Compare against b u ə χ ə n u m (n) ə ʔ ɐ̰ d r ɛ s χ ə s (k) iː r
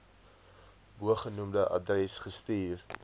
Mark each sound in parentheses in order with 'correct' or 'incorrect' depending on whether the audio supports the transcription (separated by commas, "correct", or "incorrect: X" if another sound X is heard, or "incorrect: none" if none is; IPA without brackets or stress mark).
incorrect: d, incorrect: t